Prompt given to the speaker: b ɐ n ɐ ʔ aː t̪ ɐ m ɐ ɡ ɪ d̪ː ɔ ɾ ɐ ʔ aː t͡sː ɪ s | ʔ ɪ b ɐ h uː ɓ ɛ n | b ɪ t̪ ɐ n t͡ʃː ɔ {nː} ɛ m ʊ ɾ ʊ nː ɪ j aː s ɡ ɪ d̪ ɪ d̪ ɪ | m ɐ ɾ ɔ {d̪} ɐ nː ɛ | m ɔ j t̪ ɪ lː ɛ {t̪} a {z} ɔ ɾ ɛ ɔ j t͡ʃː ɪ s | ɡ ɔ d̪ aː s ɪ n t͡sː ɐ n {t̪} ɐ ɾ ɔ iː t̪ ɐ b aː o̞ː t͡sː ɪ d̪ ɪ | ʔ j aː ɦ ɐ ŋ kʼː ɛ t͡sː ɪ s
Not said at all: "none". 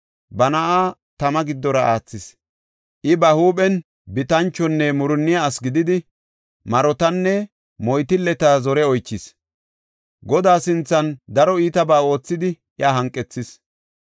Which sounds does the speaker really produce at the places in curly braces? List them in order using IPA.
nː, t̪, t̪, z, d̪

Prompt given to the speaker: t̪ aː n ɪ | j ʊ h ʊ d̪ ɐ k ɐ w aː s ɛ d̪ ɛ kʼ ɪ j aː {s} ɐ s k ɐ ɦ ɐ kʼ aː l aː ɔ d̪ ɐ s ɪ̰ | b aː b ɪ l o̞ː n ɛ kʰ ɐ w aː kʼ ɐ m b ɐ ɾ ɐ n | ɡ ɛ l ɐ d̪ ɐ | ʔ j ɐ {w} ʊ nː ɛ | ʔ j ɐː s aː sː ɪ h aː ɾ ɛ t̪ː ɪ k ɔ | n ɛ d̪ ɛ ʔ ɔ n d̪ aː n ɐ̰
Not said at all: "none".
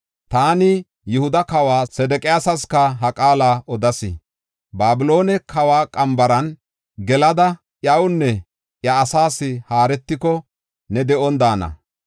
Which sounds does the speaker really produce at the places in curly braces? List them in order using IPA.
s, w

